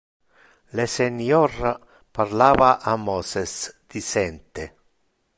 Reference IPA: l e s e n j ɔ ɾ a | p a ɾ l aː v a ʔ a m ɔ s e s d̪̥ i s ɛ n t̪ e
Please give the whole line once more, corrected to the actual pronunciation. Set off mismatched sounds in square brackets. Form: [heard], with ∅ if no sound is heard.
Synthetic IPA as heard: l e s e n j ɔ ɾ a | p a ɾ l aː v a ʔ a m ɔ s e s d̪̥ i s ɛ n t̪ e